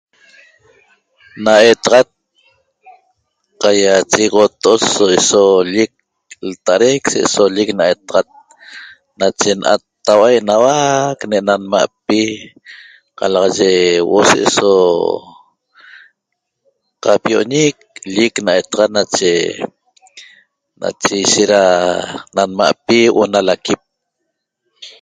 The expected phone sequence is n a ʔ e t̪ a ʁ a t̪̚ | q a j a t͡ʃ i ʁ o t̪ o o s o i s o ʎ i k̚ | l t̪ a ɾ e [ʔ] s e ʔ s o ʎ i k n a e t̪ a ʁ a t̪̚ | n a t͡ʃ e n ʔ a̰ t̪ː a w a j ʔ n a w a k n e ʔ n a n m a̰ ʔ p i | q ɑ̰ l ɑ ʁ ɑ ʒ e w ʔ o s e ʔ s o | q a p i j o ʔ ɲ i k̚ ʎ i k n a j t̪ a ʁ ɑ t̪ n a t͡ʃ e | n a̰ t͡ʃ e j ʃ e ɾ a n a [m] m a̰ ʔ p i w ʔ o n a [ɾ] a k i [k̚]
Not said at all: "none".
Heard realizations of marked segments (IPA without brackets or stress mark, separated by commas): k, n, l, p̚